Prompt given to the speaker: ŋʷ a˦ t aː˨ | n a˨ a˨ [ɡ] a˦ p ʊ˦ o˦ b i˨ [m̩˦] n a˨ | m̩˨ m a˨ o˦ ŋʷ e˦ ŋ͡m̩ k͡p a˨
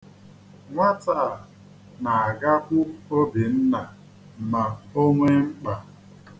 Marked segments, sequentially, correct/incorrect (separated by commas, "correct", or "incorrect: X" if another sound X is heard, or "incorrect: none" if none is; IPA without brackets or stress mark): correct, incorrect: n̩˦